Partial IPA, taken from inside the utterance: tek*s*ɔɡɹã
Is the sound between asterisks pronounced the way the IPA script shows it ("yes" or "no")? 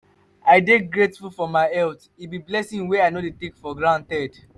no